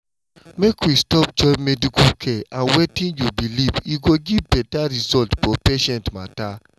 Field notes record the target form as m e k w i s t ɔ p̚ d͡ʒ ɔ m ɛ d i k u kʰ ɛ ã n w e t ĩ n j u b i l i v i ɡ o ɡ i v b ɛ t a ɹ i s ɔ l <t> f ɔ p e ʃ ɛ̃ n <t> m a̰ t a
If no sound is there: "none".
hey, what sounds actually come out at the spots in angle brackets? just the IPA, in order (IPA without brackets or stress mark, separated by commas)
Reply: t, t